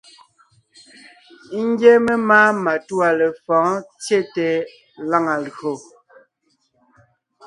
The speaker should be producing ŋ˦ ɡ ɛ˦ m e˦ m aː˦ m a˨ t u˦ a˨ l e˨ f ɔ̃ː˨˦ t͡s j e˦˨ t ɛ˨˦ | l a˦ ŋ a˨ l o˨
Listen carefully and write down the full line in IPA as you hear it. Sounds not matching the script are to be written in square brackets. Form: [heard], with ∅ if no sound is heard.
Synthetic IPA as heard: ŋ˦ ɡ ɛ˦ m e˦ m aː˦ m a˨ t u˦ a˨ l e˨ f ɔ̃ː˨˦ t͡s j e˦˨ t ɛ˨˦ | l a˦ ŋ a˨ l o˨